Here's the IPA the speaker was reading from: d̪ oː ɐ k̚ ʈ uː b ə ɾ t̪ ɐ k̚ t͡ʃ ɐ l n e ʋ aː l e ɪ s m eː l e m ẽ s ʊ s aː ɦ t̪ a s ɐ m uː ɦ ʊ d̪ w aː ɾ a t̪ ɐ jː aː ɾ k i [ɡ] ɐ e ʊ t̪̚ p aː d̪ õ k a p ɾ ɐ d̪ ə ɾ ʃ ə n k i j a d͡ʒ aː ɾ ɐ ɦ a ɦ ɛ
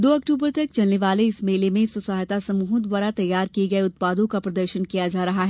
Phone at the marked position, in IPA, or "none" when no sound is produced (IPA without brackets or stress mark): ɡ